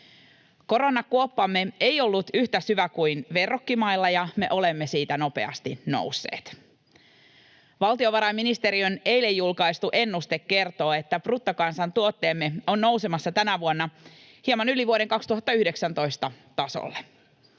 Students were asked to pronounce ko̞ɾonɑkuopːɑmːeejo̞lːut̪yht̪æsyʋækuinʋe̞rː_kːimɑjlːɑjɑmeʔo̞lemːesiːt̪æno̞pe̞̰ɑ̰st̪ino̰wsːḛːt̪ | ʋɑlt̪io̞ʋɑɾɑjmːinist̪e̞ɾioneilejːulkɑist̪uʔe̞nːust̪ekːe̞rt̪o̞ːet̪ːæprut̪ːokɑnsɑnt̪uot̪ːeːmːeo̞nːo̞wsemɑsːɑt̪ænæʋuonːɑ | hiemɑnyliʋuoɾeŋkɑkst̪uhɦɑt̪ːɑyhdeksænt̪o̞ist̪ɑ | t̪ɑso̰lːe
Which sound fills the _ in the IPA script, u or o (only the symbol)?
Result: o